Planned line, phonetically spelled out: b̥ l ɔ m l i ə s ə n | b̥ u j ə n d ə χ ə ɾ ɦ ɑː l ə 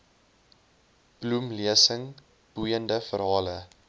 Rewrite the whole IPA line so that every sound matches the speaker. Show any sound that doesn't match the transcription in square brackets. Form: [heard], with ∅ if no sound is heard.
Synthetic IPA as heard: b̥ l [u] m l i ə s ə [ŋ] | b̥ u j ə n d ə [f] ə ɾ ɦ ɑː l ə